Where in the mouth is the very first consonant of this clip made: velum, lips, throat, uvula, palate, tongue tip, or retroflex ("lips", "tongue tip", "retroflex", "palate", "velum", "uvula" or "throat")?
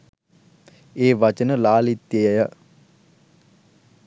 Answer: lips